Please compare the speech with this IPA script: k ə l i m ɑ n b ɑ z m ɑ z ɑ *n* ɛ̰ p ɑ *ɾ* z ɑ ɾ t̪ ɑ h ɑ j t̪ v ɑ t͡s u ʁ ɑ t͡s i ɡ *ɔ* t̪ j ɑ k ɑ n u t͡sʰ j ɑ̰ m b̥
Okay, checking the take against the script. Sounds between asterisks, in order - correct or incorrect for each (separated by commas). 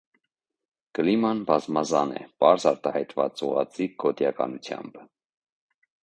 correct, correct, correct